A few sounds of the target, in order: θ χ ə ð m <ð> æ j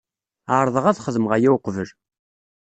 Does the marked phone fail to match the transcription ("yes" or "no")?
yes